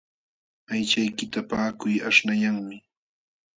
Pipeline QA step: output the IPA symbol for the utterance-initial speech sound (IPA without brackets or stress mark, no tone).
a